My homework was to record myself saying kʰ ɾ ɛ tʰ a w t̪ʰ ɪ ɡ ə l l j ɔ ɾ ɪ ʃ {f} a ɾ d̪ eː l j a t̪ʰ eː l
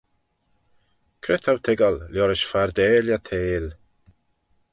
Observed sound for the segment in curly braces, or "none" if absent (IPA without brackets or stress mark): f